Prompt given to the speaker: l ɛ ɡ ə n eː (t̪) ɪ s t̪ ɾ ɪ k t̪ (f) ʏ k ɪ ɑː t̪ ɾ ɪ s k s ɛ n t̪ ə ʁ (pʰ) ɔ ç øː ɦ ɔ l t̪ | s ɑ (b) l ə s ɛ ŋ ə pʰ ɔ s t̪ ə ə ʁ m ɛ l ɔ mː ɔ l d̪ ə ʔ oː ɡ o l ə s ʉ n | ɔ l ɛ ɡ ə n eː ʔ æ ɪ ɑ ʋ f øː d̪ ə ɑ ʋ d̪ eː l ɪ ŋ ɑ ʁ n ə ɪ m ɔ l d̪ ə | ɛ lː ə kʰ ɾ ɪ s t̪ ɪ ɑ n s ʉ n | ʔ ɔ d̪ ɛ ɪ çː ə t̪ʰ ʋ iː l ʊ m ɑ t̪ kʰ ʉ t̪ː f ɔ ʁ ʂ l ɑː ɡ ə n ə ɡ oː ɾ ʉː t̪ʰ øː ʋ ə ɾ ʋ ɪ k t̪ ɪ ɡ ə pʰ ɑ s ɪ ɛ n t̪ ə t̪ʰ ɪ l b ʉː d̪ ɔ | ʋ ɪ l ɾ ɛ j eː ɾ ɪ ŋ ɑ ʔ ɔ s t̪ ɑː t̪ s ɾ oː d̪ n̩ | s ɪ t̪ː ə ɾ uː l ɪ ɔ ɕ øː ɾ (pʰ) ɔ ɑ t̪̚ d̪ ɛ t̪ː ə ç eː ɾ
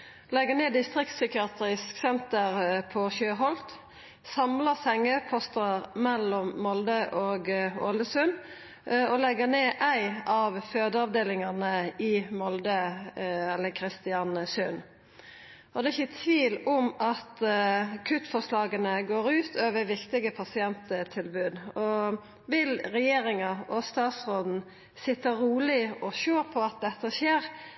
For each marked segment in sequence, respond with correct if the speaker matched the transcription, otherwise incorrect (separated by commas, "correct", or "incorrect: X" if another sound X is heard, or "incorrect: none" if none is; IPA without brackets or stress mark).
incorrect: d̪, incorrect: s, correct, incorrect: m, correct